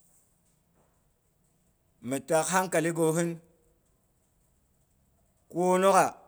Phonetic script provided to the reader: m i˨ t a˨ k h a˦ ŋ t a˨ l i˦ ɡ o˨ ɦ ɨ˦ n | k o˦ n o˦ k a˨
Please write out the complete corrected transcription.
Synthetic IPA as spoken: m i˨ t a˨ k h a˦ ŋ k a˨ l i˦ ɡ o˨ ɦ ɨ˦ n | k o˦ n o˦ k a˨

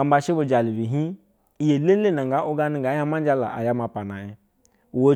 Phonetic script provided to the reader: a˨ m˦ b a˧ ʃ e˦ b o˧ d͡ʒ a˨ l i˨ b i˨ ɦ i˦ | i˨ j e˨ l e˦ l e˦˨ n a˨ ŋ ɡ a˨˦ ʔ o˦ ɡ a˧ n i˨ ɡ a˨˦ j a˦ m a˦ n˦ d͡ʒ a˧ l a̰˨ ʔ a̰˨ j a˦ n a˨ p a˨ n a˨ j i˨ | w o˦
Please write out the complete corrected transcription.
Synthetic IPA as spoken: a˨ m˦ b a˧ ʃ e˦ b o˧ d͡ʒ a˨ l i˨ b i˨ ɦ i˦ | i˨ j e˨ l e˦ l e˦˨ n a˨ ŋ ɡ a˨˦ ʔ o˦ ɡ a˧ n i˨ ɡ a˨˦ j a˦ m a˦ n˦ d͡ʒ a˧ l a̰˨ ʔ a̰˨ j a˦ m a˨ p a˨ n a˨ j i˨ | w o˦

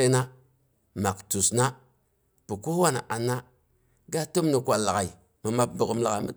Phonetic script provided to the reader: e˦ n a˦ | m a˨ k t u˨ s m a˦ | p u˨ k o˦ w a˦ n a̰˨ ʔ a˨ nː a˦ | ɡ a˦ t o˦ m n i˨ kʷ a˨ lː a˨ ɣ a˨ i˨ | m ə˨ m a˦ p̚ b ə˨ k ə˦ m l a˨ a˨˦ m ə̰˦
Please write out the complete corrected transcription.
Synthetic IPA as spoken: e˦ n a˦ | m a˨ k t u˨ s n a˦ | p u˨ k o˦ w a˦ n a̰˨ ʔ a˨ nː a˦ | ɡ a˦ t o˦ m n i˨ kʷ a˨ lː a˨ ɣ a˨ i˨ | m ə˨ m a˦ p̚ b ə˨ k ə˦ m l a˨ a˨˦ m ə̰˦

